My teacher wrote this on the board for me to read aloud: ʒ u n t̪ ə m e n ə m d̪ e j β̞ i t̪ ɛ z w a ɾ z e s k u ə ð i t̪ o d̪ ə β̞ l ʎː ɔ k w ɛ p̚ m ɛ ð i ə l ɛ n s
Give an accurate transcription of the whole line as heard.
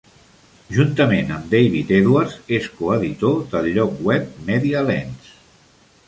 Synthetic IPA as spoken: ʒ u n t̪ ə m e n ə m d̪ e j β̞ i t̪ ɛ ð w a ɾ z e s k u ə ð i t̪ o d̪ ə l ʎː ɔ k w ɛ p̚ m ɛ ð i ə l ɛ n s